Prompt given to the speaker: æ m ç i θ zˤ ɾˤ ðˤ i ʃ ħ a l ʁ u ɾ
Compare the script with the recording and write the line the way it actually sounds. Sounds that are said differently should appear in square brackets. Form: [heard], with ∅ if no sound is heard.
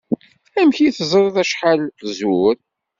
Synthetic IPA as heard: æ m ç i θ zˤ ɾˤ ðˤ [æ] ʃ ħ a l [z] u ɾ